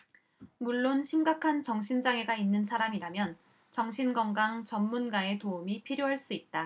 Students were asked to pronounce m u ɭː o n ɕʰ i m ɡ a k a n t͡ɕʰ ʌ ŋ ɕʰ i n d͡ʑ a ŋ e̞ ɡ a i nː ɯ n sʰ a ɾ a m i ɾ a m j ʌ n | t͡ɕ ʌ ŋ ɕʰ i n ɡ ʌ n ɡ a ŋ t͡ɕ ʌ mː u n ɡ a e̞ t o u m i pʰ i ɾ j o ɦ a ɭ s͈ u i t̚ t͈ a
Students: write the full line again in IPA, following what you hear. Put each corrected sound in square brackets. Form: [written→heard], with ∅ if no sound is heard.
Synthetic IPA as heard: m u ɭː o n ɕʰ i m ɡ a [k→kʰ] a n [t͡ɕʰ→t͡ɕ] ʌ ŋ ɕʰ i n d͡ʑ a ŋ e̞ ɡ a i nː ɯ n sʰ a ɾ a m i ɾ a m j ʌ n | t͡ɕ ʌ ŋ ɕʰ i n ɡ ʌ [n→ŋ] ɡ a ŋ t͡ɕ ʌ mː u n ɡ a e̞ t o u m i pʰ i ɾ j o ɦ a ɭ s͈ u i t̚ t͈ a

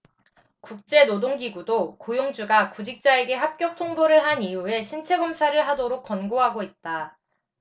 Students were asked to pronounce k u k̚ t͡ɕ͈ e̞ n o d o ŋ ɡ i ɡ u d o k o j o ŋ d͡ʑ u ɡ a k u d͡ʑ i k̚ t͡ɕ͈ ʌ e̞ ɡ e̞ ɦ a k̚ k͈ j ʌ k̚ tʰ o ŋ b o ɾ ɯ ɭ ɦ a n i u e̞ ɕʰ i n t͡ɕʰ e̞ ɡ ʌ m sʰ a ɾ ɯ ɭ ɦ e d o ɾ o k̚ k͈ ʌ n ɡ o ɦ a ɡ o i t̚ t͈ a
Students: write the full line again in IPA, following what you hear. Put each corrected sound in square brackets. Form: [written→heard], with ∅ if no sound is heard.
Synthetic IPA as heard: k u k̚ t͡ɕ͈ e̞ n o d o ŋ ɡ i ɡ u d o k o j o ŋ d͡ʑ u ɡ a k u d͡ʑ i k̚ t͡ɕ͈ [ʌ→a] e̞ ɡ e̞ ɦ a [k̚→p̚] k͈ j ʌ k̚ tʰ o ŋ b o ɾ ɯ ɭ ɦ a n i u e̞ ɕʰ i n t͡ɕʰ e̞ ɡ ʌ m sʰ a ɾ ɯ ɭ ɦ [e→a] d o ɾ o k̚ k͈ ʌ n ɡ o ɦ a ɡ o i t̚ t͈ a

